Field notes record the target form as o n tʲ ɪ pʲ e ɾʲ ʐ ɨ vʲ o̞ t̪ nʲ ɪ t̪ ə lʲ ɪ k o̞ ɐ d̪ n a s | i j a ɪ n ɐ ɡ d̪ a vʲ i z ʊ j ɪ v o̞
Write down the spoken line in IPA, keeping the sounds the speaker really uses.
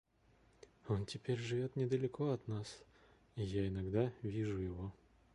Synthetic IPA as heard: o n tʲ ɪ pʲ e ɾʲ ʐ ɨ vʲ o̞ t̪ nʲ ɪ d̪ ə lʲ ɪ k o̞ ɐ t̪ n a s | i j a ɪ n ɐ ɡ d̪ a vʲ i ʐ ʊ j ɪ v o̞